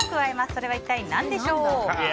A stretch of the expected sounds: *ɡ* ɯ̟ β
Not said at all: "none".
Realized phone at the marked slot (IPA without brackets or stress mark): k